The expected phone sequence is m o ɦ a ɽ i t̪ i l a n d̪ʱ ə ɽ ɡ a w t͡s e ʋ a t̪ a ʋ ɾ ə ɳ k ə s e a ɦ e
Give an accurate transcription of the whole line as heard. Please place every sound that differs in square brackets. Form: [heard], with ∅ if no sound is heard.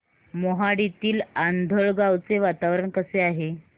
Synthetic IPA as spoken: m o ɦ a ɽ i t̪ [iː] l a n d̪ʱ ə [ɭ] ɡ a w t͡s e ʋ a t̪ a ʋ ɾ ə ɳ k ə s e a ɦ e